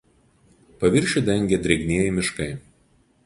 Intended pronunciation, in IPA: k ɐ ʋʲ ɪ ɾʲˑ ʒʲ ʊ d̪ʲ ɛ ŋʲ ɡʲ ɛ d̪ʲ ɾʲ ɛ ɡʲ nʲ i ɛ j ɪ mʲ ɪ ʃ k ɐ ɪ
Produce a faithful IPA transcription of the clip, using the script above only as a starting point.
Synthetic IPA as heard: p ɐ ʋʲ ɪ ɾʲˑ ʃʲ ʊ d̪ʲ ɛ ŋʲ ɡʲ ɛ d̪ʲ ɾʲ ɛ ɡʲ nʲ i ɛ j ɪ mʲ ɪ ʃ k ɐ ɪ